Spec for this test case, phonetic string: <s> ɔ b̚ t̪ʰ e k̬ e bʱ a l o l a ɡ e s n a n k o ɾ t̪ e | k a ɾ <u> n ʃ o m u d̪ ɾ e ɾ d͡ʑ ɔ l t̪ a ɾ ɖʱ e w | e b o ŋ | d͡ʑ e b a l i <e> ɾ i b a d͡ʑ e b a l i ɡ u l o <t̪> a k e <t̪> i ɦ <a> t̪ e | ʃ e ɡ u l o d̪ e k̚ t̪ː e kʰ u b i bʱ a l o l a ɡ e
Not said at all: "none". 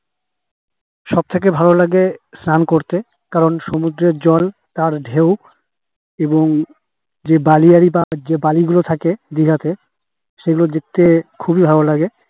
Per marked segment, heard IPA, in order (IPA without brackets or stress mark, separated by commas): ʃ, o, a, t̪ʰ, d̪, a